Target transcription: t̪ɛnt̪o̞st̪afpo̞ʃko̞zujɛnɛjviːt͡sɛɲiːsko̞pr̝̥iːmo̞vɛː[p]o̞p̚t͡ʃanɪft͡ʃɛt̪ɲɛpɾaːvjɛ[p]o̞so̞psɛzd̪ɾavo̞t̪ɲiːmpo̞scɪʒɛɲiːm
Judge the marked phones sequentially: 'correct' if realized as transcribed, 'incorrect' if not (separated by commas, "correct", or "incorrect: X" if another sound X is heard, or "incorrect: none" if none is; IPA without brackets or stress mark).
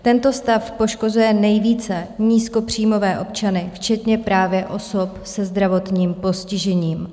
incorrect: ʔ, incorrect: ʔ